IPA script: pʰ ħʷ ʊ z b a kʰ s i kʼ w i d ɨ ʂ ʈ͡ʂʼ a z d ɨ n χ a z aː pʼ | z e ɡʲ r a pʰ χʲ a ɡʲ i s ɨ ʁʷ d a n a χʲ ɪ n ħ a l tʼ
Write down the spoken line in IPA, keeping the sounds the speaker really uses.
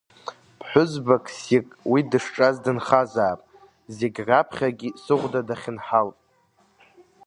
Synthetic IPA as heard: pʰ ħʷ ʊ z b a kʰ s i kʼ w i d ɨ ʂ ʈ͡ʂʼ a z d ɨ n χ a z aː pʼ | z e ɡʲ r a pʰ χʲ a ɡʲ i s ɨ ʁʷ d a d a χʲ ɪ n ħ a l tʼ